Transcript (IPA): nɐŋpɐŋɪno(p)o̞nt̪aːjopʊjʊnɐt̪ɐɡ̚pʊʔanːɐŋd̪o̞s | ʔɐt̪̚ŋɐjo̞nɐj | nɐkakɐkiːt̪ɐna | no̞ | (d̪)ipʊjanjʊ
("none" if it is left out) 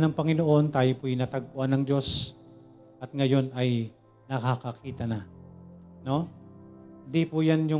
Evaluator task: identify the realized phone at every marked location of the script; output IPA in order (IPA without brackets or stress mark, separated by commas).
ʔ, d̪